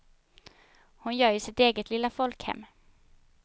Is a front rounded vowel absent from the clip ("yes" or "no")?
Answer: no